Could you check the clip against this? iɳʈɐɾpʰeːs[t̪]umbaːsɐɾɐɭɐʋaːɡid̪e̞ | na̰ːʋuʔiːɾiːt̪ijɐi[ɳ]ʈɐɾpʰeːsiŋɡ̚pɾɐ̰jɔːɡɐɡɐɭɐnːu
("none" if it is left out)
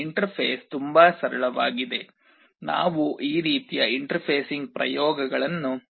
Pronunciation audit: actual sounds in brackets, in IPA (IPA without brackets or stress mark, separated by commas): t̪, ɳ